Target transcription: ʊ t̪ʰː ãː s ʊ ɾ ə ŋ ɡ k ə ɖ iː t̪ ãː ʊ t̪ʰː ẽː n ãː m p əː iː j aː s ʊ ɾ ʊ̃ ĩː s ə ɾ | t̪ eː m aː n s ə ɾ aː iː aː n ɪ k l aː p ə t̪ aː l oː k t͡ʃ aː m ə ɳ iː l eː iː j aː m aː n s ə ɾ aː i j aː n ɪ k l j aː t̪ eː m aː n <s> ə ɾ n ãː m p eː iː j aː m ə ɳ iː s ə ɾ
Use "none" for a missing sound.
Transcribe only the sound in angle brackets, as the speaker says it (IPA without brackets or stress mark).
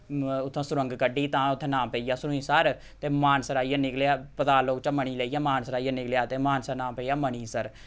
s